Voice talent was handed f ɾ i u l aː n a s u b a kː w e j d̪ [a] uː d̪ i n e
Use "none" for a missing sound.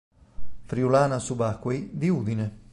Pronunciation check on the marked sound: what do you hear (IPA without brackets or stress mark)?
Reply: i